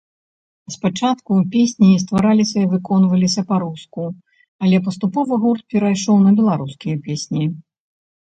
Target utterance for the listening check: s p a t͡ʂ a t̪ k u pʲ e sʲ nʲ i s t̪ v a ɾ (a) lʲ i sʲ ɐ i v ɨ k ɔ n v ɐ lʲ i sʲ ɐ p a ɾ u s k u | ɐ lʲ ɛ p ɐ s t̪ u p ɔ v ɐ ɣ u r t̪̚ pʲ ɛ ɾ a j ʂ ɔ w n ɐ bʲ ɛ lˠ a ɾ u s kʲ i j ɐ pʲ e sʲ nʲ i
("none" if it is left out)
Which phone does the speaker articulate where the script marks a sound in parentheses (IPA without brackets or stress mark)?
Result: a